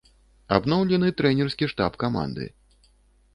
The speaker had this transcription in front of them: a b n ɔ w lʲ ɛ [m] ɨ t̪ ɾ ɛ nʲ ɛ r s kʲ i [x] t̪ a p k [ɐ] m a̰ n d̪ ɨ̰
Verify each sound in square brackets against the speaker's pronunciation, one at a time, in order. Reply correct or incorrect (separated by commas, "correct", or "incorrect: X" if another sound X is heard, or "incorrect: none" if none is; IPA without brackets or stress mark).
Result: incorrect: n, incorrect: ʂ, incorrect: a